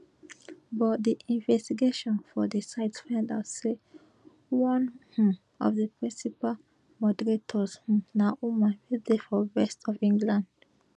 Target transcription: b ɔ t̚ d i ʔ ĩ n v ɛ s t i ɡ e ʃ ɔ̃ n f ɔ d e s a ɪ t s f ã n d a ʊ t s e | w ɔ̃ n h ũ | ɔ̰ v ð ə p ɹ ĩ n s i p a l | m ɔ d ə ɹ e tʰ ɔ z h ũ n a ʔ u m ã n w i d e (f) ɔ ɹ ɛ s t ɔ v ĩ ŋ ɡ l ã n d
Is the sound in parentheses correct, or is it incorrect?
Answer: correct